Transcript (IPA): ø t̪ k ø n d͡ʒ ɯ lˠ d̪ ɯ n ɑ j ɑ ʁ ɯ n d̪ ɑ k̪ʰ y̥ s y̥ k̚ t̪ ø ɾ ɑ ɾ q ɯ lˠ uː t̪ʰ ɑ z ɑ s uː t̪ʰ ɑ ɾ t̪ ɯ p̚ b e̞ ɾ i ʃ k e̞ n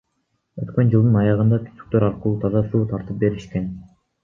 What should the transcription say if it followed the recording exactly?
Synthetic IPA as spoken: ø t̪ k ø n d͡ʒ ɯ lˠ d̪ ɯ n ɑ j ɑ ʁ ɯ n d̪ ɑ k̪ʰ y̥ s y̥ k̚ t̪ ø ɾ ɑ ɾ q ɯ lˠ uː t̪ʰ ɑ z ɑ s uː t̪ʰ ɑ ɾ t̪ ɯ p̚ b e̞ ɾ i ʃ k e̞ n